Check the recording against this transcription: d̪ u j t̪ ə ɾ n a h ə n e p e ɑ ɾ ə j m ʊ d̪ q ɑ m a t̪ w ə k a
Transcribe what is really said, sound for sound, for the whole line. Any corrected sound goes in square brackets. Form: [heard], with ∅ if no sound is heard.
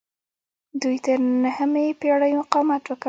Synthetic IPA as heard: d̪ u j t̪ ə ɾ n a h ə [m] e p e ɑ [ɽ] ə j m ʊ [∅] q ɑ m a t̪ w ə k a